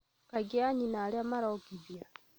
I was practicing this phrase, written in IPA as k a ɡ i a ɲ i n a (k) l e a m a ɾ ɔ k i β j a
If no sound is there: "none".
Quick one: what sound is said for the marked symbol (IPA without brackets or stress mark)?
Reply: none